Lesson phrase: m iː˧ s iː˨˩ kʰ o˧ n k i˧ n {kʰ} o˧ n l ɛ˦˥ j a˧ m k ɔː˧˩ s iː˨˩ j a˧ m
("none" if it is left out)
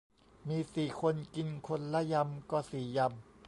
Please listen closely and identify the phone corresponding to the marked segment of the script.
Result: kʰ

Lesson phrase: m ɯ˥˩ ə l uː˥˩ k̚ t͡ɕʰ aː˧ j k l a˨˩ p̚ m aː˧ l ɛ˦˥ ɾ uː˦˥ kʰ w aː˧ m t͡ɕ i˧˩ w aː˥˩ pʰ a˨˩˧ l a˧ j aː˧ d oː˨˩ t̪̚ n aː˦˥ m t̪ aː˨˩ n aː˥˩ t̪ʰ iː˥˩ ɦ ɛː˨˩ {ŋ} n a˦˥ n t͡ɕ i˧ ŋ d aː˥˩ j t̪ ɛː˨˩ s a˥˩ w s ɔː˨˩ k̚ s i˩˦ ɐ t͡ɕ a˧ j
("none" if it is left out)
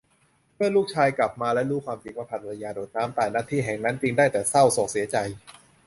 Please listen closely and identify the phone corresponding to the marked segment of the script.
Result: ŋ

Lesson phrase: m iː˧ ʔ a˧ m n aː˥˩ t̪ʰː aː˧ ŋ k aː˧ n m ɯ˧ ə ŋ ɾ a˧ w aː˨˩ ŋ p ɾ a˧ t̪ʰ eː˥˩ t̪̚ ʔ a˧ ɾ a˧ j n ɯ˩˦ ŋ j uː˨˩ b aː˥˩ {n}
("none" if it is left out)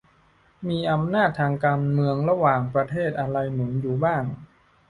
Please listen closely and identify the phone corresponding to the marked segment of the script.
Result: ŋ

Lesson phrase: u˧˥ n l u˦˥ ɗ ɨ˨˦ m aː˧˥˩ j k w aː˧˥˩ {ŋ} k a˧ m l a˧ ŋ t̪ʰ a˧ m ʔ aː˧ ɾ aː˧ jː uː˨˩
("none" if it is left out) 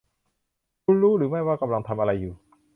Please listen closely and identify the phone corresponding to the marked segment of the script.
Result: none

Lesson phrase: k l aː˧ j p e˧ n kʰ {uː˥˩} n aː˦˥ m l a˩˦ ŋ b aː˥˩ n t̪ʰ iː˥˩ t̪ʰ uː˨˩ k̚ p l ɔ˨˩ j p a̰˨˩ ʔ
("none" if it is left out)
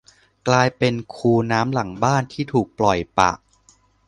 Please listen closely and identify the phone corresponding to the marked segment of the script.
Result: uː˧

